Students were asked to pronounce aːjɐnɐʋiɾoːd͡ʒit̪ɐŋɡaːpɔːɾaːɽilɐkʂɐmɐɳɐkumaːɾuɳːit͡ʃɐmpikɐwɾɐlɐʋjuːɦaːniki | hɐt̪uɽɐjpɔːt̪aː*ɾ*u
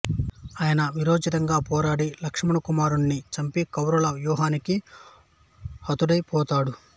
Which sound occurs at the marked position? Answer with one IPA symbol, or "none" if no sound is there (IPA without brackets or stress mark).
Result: ɽ